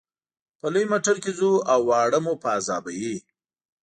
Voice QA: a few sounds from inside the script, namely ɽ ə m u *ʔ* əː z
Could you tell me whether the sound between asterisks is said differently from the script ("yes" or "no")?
yes